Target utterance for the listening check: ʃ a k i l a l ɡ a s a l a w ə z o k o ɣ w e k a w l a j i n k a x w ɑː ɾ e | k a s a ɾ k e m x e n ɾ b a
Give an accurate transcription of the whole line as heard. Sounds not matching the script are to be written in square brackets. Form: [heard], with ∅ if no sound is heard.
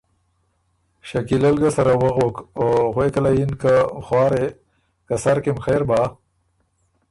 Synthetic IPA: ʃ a k i l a l ɡ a s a [ɾ] a w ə [ɣ] o k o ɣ w e k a [∅] l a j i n k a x w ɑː ɾ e | k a s a ɾ k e m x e [∅] ɾ b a